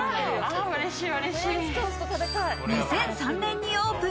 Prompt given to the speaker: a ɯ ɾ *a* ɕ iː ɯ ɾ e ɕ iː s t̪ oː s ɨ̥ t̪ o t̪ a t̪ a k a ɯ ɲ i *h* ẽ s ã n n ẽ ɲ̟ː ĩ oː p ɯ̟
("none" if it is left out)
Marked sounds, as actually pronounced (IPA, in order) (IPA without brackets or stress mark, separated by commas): e, s